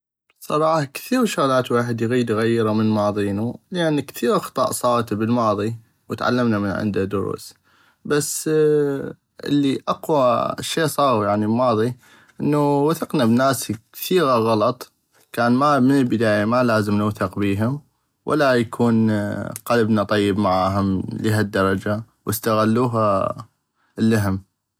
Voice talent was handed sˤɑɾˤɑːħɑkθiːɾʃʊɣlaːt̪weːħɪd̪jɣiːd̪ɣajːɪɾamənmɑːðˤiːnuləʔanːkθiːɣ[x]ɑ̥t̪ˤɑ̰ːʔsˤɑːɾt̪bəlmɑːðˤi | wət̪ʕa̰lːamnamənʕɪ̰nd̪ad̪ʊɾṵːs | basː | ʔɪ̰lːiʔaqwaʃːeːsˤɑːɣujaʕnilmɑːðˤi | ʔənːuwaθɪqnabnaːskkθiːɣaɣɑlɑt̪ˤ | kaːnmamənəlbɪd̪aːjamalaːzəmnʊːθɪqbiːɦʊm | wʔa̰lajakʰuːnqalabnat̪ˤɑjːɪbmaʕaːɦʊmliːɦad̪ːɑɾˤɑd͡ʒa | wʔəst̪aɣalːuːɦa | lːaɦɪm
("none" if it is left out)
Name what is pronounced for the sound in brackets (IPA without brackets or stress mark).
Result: x